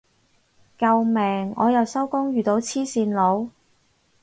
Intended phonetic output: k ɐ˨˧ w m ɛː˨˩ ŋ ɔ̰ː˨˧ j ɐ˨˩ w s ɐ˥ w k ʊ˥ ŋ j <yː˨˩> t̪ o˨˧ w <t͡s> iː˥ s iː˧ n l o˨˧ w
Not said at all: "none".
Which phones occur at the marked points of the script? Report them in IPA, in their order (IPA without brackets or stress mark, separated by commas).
yː˨˩, t͡sʰ